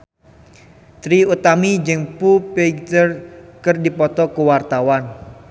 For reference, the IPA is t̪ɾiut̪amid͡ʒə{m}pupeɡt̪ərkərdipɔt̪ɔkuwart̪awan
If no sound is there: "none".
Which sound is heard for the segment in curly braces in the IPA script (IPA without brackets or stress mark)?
ŋ